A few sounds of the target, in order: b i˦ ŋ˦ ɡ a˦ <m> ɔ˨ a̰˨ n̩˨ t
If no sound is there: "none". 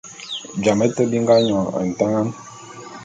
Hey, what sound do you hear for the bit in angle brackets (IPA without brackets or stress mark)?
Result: ɲ